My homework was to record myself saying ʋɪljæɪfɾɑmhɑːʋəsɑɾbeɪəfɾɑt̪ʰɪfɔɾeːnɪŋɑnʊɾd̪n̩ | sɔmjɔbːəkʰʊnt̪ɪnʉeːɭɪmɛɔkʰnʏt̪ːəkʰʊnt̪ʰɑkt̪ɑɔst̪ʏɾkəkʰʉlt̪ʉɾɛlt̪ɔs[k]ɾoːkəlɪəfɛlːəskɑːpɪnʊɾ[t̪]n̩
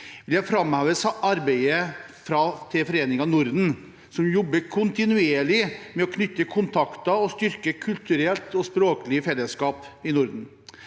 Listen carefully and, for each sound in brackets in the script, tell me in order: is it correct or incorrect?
incorrect: p, incorrect: d̪

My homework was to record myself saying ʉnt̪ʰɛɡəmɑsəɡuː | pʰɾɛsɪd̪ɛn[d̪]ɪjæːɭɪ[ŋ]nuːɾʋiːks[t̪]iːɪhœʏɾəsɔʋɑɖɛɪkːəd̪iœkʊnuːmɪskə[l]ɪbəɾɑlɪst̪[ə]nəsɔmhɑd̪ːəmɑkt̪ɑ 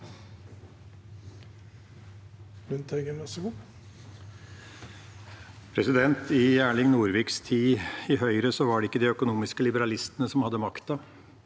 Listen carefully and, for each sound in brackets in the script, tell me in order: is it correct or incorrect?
incorrect: t̪, correct, incorrect: t̪ʰ, correct, correct

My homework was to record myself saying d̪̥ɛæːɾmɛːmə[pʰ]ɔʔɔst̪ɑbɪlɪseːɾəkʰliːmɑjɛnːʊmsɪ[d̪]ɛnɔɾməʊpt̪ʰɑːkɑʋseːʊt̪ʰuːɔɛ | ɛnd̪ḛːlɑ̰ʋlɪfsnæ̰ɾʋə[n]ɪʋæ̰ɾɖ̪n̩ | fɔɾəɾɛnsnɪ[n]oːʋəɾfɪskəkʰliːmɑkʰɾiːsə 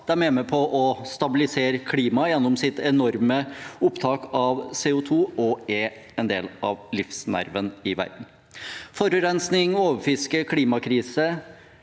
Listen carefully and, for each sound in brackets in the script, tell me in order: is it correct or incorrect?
correct, incorrect: t̪, correct, incorrect: ŋ

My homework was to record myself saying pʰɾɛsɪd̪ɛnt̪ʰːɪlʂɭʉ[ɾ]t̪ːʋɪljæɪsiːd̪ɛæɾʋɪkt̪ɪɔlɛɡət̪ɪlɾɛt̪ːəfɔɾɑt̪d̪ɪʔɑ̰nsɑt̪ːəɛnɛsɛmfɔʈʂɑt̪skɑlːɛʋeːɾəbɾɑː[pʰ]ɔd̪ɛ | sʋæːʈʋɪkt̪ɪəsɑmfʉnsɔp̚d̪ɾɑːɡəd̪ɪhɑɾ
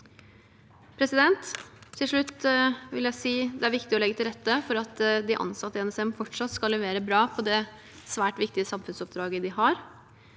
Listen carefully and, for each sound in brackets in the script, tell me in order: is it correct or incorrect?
incorrect: none, correct

